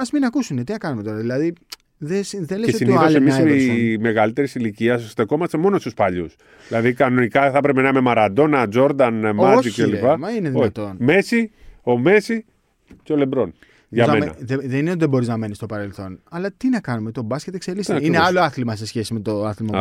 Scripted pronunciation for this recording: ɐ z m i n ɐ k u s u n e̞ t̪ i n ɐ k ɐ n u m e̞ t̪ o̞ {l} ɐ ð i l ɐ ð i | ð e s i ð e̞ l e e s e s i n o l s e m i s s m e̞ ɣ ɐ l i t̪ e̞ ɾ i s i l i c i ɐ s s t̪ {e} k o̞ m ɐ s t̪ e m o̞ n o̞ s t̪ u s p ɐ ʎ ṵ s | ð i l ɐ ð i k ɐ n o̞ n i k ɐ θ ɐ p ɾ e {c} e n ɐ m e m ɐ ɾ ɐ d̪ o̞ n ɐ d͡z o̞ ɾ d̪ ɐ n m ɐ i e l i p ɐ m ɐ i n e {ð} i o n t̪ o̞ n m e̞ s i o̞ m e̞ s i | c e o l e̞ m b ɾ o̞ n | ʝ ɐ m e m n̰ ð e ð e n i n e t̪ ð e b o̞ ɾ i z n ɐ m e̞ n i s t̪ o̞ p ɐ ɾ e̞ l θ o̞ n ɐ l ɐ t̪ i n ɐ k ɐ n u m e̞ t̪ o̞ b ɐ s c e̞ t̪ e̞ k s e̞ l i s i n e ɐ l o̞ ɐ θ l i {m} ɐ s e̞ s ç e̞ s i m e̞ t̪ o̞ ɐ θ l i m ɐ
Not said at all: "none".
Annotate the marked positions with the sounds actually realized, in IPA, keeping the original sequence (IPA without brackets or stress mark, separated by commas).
ɾ, e, p, ð, m